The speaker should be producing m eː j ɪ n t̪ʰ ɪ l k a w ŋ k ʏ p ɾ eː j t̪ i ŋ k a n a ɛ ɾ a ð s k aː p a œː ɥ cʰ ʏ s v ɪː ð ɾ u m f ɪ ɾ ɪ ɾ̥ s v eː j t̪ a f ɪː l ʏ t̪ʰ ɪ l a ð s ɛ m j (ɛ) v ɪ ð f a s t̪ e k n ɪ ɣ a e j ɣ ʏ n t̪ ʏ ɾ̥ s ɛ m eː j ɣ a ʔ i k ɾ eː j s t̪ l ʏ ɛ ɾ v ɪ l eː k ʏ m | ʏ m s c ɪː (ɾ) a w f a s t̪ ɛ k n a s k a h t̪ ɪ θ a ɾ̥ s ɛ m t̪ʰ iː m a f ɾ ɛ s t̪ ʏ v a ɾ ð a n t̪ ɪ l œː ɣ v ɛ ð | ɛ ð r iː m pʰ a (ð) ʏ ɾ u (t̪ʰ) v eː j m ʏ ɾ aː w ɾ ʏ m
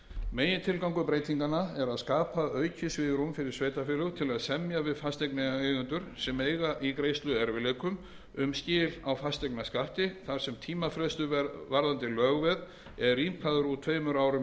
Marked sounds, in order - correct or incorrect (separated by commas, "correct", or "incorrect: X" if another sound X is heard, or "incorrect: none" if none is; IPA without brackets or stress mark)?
incorrect: a, incorrect: l, correct, correct